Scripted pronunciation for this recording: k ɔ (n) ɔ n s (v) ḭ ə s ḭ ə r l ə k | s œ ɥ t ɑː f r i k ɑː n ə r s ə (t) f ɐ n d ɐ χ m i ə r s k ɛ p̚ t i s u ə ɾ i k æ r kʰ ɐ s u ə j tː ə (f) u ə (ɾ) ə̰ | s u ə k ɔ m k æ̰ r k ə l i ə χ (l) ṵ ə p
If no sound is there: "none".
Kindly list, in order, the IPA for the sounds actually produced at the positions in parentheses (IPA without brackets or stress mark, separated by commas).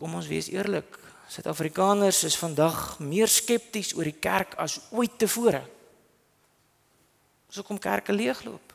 m, v, s, f, ɾ, l